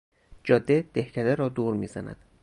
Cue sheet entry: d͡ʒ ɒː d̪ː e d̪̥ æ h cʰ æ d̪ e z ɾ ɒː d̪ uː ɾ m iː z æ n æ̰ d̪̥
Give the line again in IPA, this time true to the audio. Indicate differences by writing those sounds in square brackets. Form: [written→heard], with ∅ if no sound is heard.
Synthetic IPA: d͡ʒ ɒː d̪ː e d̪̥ [æ→e] h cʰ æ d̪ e [z→∅] ɾ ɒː d̪ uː ɾ m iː z æ n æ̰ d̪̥